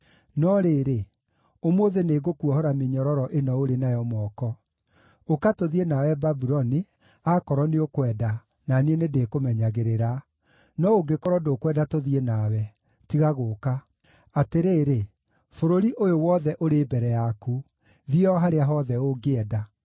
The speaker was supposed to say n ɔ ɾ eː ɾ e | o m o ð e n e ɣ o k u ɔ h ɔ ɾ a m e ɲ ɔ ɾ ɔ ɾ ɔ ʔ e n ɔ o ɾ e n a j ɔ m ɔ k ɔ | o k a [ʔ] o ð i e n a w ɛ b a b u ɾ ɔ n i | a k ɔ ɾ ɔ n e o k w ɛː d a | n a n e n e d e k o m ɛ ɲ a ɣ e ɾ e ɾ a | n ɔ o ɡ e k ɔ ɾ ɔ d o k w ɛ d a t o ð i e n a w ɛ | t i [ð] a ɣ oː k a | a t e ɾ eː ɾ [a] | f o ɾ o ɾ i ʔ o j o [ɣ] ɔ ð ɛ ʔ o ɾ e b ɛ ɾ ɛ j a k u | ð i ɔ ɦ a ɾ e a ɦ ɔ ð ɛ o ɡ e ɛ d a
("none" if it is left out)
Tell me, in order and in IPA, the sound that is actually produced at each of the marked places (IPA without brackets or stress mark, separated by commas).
t, ɣ, e, w